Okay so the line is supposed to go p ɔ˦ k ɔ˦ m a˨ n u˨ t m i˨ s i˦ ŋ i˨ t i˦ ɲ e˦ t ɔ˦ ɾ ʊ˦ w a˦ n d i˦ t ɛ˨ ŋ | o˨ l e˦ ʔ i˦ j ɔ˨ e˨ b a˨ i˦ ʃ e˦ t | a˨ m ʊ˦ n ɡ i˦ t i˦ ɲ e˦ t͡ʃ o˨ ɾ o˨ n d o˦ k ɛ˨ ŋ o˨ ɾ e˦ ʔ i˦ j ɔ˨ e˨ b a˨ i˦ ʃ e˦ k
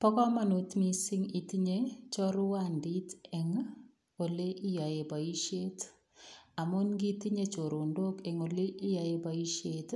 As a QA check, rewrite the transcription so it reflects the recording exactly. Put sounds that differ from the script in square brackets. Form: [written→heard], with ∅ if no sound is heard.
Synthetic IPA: p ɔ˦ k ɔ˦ m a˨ n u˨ t m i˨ s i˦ ŋ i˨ t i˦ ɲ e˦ [t→t͡ʃ] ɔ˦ ɾ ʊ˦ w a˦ n d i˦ t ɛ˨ ŋ | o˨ l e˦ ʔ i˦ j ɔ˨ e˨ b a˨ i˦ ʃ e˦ t | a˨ m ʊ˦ n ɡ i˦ t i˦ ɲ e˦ t͡ʃ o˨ ɾ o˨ n d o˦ k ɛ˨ ŋ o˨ [ɾ→l] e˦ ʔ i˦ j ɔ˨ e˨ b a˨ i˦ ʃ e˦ [k→t]